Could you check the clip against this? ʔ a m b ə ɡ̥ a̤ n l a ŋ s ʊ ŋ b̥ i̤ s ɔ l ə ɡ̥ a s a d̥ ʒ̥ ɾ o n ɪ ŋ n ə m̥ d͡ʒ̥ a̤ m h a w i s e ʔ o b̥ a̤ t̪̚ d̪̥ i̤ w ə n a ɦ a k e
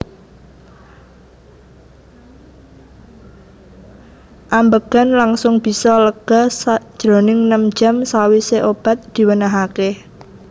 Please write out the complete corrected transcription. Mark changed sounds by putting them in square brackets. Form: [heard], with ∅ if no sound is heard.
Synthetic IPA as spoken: ʔ a m b ə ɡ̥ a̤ n l a ŋ s ʊ ŋ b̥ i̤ s ɔ l ə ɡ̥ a s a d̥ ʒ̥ ɾ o n ɪ ŋ n ə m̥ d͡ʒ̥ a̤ m [s] a w i s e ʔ o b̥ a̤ t̪̚ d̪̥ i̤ w ə n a ɦ a k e

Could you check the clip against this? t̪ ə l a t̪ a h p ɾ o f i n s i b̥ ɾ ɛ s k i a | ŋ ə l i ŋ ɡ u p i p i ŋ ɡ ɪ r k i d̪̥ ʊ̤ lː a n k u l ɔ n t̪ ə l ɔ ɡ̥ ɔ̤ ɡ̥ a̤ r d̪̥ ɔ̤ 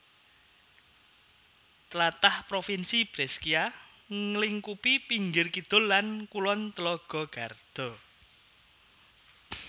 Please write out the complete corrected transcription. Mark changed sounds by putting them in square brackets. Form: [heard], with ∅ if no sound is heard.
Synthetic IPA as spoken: t̪ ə l a t̪ a h p ɾ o f i n s i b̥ ɾ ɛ s k i a | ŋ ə l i ŋ [k] u p i p i ŋ ɡ ɪ r k i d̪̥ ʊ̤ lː a n k u l ɔ n t̪ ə l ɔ ɡ̥ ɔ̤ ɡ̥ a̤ r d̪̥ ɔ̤

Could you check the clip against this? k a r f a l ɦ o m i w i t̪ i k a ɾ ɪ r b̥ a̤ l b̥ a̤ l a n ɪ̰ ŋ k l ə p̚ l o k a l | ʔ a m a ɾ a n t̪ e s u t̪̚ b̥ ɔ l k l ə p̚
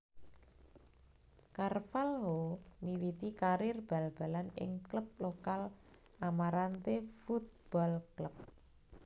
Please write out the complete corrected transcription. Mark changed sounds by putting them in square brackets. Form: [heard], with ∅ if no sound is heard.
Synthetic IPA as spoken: k a r f a l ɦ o m i w i t̪ i k a ɾ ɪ r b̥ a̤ l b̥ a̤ l a n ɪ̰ ŋ k l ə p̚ l o k a l | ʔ a m a ɾ a n t̪ e [f] u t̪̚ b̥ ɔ l k l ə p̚

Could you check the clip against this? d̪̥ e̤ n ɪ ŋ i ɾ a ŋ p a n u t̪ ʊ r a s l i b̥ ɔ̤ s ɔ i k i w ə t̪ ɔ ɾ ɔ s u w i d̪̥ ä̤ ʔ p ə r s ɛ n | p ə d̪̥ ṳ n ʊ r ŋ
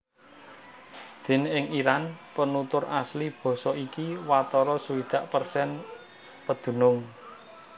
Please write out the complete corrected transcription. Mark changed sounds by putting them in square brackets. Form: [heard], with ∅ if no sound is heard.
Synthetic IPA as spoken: d̪̥ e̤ n ɪ ŋ i ɾ a [n] p [ə] n u t̪ ʊ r a s l i b̥ ɔ̤ s ɔ i k i w [a] t̪ ɔ ɾ ɔ s u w i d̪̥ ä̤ ʔ p ə r s ɛ n | p ə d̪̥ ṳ n ʊ [∅] ŋ

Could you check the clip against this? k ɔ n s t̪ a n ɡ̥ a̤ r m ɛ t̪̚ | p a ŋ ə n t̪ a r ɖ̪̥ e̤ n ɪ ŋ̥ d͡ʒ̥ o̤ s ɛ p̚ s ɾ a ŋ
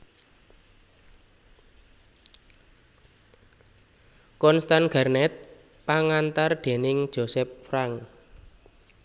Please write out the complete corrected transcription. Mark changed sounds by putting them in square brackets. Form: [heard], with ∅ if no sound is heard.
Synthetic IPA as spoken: k ɔ n s t̪ a n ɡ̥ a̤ r [n] ɛ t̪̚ | p a ŋ [a] n t̪ a r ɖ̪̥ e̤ n ɪ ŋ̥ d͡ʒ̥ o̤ s ɛ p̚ [f] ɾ a ŋ

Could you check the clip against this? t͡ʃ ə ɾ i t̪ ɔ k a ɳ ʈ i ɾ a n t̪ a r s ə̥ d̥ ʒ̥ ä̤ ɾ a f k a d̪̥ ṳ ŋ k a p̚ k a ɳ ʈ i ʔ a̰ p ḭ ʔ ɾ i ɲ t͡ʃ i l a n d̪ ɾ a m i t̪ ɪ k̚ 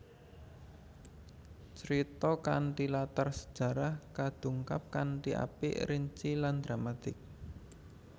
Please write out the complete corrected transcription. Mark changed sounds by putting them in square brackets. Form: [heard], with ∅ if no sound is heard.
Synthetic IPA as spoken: t͡ʃ ə ɾ i t̪ ɔ k a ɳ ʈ i [l] a [∅] t̪ a r s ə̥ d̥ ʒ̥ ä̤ ɾ a [h] k a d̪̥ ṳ ŋ k a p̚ k a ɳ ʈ i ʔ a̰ p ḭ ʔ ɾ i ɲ t͡ʃ i l a n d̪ ɾ a m [a] t̪ ɪ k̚

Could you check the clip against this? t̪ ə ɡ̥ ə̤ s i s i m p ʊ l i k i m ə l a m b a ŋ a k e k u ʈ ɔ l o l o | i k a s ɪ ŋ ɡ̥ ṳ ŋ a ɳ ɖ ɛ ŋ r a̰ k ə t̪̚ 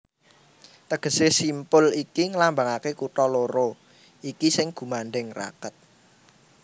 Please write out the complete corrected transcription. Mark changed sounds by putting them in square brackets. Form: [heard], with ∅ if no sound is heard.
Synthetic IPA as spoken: t̪ ə ɡ̥ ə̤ s [e] s i m p ʊ l i k i [ŋ] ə l a m b a ŋ a k e k u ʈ ɔ l o [ɾ] o | i k [i] s ɪ ŋ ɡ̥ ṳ [m] a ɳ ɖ ɛ ŋ r a̰ k ə t̪̚

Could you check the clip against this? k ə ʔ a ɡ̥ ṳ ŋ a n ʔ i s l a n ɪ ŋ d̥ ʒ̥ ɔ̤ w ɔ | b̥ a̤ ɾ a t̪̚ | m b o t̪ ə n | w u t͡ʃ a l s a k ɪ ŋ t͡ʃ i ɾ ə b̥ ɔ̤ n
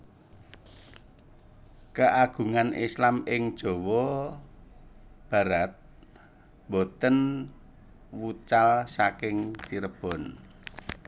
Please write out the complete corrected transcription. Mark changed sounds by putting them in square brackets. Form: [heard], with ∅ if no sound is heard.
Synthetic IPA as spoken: k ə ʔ a ɡ̥ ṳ ŋ a n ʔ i s l a [m] ɪ ŋ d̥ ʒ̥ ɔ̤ w ɔ | b̥ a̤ ɾ a t̪̚ | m b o t̪ ə n | w u t͡ʃ a l s a k ɪ ŋ t͡ʃ i ɾ ə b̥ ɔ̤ n

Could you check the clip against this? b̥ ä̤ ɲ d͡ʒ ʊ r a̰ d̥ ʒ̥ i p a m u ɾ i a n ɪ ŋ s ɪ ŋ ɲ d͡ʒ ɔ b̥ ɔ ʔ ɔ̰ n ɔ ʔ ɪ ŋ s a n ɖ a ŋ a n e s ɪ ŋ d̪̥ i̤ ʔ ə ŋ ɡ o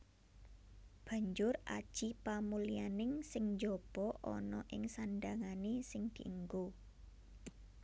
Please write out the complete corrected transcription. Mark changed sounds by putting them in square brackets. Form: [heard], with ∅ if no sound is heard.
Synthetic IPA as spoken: b̥ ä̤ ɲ d͡ʒ ʊ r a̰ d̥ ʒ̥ i p a m u [l] i a n ɪ ŋ s ɪ ŋ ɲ d͡ʒ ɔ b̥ ɔ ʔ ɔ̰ n ɔ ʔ ɪ ŋ s a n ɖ a ŋ a n e s ɪ ŋ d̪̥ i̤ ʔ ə ŋ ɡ o

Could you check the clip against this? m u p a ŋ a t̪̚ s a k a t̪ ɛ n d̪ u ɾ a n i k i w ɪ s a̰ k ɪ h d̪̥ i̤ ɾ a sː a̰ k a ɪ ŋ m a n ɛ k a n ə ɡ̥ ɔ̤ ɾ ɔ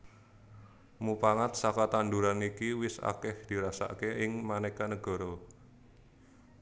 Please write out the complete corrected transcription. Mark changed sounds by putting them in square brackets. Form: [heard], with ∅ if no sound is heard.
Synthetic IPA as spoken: m u p a ŋ a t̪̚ s a k a t̪ [a] n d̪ u ɾ a n i k i w ɪ s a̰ k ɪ h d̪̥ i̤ ɾ a [s] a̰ k [e] ɪ ŋ m a n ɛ k a n ə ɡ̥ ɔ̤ ɾ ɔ

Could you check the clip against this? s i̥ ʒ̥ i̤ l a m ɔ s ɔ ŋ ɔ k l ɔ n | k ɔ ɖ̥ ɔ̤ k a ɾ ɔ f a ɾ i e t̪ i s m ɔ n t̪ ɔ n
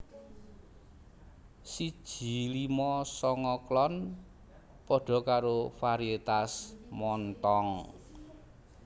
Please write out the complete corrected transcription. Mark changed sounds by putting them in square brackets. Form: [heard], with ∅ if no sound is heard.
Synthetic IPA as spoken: s i̥ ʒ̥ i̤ l [i] m ɔ s ɔ ŋ ɔ k l ɔ n | [p] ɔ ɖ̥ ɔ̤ k a ɾ [o] f a ɾ i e t̪ [a] s m ɔ n t̪ ɔ [ŋ]

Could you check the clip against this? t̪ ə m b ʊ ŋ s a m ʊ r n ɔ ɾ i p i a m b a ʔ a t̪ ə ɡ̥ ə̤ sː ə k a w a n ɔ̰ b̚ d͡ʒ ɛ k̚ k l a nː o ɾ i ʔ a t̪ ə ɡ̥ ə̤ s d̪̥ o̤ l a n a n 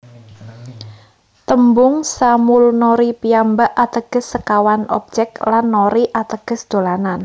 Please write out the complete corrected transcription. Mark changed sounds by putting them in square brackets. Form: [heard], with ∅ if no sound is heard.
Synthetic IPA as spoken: t̪ ə m b ʊ ŋ s a m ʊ [l] n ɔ ɾ i p i a m b a ʔ a t̪ ə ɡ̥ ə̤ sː ə k a w a n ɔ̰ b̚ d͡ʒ ɛ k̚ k l a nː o ɾ i ʔ a t̪ ə ɡ̥ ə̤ s d̪̥ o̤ l a n a n

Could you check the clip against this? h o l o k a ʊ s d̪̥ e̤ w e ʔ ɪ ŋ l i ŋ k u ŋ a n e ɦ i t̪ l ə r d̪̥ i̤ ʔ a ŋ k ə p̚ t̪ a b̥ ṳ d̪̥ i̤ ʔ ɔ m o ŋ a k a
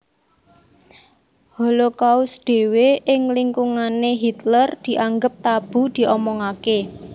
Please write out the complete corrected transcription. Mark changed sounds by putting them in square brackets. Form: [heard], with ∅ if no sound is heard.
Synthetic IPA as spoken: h o l o k a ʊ s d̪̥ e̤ w e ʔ ɪ ŋ l i ŋ k u ŋ a n e ɦ i t̪ l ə r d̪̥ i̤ ʔ a ŋ [ɡ] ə p̚ t̪ a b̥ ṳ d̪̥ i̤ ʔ ɔ m [ɔ] ŋ a k [e]

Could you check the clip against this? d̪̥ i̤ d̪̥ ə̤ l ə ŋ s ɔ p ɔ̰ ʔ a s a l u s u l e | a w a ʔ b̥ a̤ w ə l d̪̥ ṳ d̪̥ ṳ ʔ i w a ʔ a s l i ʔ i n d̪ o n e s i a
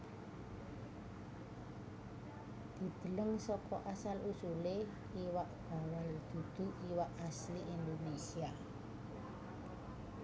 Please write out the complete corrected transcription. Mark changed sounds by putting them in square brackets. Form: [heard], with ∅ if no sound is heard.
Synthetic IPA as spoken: d̪̥ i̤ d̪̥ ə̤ l ə ŋ s ɔ [k] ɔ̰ ʔ a s a l u s u l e | [i] w a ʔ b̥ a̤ w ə l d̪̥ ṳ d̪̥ ṳ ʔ i w a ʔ a s l i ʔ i n d̪ o n e s i a

